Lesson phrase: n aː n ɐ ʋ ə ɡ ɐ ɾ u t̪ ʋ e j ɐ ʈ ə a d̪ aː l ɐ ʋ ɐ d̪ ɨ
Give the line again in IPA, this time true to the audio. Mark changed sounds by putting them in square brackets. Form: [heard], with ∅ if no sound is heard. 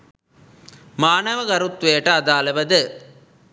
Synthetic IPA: [m] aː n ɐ ʋ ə ɡ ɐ ɾ u t̪ ʋ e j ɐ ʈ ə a d̪ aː l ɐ ʋ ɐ d̪ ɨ